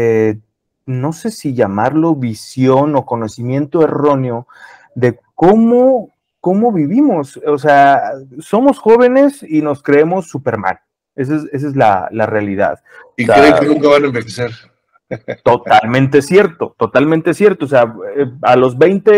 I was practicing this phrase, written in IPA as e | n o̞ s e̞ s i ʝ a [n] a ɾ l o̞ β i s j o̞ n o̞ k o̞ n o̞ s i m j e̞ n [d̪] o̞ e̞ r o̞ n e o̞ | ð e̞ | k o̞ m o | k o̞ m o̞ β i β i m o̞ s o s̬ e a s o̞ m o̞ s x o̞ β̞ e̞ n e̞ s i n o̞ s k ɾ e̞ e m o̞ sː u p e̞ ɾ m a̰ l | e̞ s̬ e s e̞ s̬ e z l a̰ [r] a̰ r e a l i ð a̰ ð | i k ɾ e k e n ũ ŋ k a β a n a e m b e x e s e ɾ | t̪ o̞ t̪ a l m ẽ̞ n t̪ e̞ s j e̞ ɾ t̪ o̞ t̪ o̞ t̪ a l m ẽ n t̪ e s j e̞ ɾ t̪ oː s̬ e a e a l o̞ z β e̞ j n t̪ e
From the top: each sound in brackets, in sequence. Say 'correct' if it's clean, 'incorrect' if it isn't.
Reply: incorrect: m, incorrect: t̪, incorrect: l

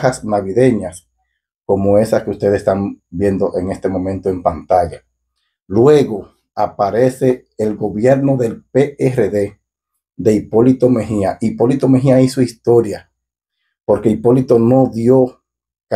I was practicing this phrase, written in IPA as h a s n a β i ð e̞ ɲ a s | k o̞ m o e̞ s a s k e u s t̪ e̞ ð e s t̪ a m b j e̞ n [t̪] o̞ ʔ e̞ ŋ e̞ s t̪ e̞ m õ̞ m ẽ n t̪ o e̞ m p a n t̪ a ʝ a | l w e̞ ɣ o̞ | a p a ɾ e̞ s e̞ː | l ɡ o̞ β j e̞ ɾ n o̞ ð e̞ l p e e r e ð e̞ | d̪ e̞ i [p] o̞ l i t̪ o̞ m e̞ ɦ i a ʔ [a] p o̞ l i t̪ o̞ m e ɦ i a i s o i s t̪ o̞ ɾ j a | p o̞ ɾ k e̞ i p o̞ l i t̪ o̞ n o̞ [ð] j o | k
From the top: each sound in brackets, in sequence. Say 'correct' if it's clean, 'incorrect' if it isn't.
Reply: incorrect: d̪, correct, incorrect: i, correct

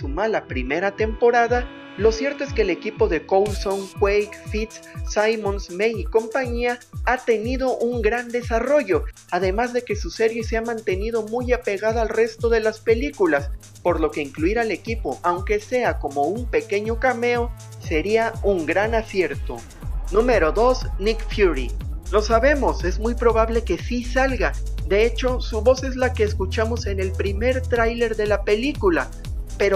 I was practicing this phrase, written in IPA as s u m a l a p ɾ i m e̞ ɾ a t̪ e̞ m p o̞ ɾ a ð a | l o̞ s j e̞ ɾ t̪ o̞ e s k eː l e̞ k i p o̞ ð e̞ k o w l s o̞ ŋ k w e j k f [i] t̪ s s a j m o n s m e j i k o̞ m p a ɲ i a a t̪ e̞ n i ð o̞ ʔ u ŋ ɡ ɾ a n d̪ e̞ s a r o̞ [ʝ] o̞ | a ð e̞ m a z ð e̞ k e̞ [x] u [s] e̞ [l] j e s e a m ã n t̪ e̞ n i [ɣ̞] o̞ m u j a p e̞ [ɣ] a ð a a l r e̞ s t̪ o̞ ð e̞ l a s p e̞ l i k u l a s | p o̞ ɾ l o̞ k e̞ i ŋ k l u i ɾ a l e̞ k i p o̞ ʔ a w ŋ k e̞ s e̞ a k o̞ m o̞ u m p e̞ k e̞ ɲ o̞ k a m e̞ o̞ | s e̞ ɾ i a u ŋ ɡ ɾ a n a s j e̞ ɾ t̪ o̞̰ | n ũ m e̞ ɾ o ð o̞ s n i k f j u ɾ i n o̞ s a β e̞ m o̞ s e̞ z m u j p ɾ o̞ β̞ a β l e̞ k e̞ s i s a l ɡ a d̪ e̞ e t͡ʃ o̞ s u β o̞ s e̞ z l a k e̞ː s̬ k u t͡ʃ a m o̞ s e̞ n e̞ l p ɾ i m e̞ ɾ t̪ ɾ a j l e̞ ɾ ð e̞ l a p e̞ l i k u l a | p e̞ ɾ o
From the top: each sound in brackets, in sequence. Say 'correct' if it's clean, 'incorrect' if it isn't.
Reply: correct, correct, incorrect: s, correct, incorrect: ɾ, incorrect: ð̞, correct

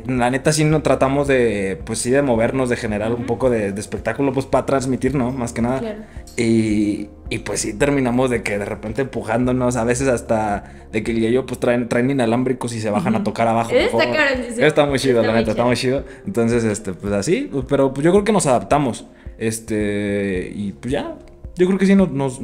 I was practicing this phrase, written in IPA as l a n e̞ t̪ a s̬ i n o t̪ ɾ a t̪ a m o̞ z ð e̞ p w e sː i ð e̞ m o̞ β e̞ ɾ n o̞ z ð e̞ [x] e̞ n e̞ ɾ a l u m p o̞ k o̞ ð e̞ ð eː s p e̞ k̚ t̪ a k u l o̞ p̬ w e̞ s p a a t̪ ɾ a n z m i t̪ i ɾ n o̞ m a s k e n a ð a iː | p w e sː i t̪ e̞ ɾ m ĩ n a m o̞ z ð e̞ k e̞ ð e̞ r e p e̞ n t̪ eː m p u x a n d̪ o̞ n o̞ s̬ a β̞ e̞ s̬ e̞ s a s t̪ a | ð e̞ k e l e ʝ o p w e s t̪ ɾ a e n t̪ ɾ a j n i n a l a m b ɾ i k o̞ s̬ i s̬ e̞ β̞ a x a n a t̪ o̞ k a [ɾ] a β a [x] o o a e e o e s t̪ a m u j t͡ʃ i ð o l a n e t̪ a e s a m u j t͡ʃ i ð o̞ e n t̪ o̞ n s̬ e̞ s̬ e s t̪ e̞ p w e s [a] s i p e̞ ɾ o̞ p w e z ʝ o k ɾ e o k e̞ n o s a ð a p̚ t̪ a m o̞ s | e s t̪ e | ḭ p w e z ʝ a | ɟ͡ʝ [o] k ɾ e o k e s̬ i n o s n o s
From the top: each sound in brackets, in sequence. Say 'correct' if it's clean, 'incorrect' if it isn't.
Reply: correct, correct, correct, correct, correct

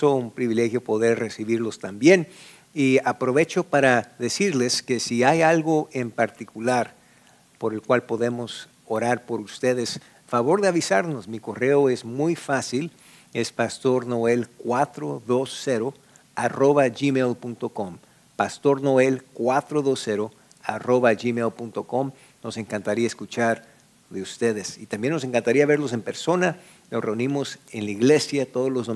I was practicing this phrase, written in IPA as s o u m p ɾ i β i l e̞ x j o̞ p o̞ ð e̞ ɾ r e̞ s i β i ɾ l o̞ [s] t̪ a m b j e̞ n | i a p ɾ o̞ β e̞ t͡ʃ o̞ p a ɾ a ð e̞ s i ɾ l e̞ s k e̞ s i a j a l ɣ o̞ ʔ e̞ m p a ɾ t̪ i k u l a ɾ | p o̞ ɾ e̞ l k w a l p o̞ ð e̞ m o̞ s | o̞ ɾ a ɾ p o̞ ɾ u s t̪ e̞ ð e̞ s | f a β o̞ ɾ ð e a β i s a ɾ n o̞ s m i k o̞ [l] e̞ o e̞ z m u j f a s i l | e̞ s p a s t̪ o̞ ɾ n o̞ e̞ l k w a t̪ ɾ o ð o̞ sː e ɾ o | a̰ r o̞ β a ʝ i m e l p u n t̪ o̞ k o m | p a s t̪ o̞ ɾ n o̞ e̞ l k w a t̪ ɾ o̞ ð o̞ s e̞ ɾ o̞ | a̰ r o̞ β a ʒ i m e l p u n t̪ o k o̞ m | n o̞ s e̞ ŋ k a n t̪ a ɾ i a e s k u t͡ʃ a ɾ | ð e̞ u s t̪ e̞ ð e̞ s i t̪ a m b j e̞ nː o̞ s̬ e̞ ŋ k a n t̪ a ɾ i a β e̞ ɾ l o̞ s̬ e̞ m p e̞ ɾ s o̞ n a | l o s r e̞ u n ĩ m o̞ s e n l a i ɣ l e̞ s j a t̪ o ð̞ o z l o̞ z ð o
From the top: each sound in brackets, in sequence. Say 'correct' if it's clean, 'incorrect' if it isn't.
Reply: correct, incorrect: r

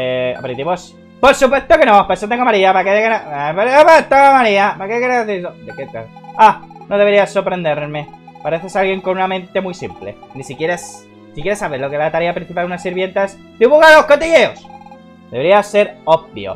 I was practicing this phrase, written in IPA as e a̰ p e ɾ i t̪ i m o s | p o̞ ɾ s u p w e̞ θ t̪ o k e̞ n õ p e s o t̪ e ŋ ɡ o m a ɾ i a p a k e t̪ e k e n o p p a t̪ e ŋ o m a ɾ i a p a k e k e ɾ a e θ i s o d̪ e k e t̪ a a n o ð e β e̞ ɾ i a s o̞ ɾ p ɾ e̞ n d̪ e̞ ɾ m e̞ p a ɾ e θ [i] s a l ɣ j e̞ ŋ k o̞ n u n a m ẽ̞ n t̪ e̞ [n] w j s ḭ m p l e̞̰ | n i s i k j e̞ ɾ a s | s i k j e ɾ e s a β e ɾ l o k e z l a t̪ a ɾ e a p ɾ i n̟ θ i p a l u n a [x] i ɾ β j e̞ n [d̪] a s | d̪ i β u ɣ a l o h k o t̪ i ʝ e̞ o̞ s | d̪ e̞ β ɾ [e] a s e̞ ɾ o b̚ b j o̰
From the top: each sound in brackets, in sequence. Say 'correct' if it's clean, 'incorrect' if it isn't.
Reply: incorrect: e, incorrect: m, incorrect: s, incorrect: t̪, incorrect: i

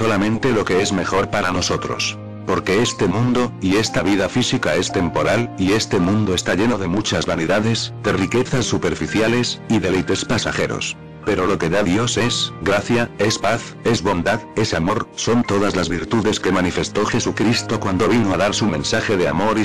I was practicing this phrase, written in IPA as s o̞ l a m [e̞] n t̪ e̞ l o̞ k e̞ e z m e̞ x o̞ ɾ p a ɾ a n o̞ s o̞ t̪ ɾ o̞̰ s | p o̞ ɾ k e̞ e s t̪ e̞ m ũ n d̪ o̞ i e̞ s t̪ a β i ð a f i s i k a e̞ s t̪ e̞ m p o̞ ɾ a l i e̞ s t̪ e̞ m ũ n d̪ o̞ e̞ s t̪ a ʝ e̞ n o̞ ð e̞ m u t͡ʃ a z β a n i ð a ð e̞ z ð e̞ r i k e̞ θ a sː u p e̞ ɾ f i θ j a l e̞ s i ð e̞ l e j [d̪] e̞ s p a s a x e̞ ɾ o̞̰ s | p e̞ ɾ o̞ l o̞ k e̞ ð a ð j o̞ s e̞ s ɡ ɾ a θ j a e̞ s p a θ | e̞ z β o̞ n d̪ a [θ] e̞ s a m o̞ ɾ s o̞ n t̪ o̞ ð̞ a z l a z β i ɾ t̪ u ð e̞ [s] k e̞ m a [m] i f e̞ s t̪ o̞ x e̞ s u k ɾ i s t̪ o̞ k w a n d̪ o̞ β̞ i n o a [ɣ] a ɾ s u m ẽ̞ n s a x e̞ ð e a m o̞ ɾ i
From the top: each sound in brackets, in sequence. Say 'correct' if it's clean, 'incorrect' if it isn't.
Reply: incorrect: ẽ̞, incorrect: t̪, incorrect: ð, correct, incorrect: n, incorrect: ð

